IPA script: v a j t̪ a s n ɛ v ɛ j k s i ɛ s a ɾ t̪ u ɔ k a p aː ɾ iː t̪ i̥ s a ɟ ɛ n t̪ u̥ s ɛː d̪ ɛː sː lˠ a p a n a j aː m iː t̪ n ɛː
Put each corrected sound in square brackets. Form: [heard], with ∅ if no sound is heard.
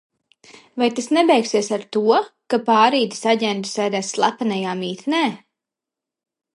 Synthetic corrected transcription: v a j t̪ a s n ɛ [b] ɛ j k s i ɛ s a ɾ t̪ u ɔ k a p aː ɾ iː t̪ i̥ s a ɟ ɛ n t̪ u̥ s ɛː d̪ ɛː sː lˠ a p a n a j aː m iː t̪ n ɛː